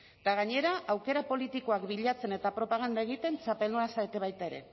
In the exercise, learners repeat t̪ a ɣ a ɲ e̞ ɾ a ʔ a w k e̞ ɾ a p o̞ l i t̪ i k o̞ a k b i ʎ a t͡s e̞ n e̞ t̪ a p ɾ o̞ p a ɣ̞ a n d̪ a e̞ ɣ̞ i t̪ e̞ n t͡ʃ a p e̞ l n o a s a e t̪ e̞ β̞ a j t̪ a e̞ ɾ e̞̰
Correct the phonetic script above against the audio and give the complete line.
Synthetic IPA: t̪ a ɣ a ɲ e̞ ɾ a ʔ a w k e̞ ɾ a p o̞ l i t̪ i k o̞ a k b i ʎ a t͡s e̞ n e̞ t̪ a p ɾ o̞ p a ɣ̞ a n d̪ a e̞ ɣ̞ i t̪ e̞ n t͡ʃ a p e̞ l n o a s a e t̪ e̞ β̞ a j t̪ a e̞ ɾ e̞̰